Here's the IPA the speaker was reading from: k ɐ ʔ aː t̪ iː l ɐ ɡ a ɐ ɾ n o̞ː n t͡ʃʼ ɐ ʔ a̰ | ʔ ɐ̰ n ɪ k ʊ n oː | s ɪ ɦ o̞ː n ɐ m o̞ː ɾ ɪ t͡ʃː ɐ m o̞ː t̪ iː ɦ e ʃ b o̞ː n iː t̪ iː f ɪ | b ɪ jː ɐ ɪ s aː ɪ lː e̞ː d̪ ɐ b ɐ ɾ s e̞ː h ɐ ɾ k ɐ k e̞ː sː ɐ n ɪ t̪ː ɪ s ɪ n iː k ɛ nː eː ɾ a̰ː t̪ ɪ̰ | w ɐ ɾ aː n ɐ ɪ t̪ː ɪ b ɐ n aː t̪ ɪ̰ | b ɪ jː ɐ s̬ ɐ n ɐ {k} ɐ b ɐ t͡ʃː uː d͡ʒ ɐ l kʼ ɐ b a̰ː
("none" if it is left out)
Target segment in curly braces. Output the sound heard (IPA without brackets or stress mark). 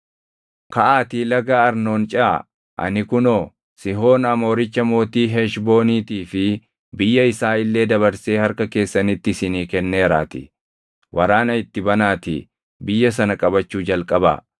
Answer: kʼ